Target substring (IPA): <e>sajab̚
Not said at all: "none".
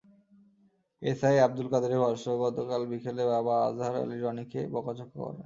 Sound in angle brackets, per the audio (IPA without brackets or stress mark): e